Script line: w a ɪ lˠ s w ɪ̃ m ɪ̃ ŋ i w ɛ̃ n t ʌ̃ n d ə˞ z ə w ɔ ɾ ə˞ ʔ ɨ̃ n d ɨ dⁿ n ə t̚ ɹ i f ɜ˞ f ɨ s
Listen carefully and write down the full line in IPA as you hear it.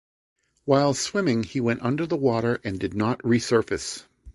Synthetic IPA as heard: w a ɪ lˠ s w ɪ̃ m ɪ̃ ŋ i w ɛ̃ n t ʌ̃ n d ə˞ ð ə w ɔ ɾ ə˞ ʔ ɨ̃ n d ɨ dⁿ n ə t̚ ɹ i s ɜ˞ f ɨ s